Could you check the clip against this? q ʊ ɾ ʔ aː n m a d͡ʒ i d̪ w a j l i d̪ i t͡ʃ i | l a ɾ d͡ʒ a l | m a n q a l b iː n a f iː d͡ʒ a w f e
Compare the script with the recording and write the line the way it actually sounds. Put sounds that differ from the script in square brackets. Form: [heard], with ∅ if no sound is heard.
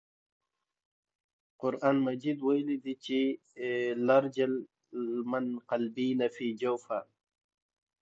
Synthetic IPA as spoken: q ʊ ɾ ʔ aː n m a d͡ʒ i d̪ w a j l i d̪ i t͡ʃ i | l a ɾ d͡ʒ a l | m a n q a l b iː n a f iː d͡ʒ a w f [a]